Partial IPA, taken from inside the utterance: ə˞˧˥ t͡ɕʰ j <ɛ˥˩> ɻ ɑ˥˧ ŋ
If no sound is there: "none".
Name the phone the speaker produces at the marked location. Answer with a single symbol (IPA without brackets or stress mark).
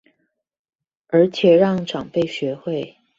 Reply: ɛ˨˩